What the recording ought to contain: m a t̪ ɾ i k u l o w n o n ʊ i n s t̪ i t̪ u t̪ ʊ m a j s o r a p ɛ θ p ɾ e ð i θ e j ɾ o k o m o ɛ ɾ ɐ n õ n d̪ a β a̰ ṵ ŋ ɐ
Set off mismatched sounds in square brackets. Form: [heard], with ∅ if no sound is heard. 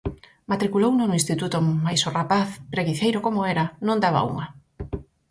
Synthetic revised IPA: m a t̪ ɾ i k u l o w n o n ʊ i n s t̪ i t̪ u t̪ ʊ m a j s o r a p [a] θ p ɾ e [ɣ] i θ e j ɾ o k o m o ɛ ɾ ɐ n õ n d̪ a β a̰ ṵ ŋ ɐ